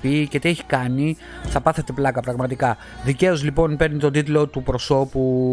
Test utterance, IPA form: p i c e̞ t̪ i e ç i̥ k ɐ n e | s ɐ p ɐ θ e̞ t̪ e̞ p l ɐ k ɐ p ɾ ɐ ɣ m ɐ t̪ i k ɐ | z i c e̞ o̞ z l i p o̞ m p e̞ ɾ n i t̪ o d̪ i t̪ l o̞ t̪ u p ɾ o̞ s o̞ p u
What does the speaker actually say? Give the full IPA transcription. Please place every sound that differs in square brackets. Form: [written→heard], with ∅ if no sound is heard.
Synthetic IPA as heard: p i c e̞ t̪ i e ç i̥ k ɐ n [e→i] | [s→θ] ɐ p ɐ θ e̞ t̪ e̞ p l ɐ k ɐ p ɾ ɐ ɣ m ɐ t̪ i k ɐ | [z→ð] i c e̞ o̞ z l i p o̞ [m→n] p e̞ ɾ n i t̪ o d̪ i t̪ l o̞ t̪ u p ɾ o̞ s o̞ p u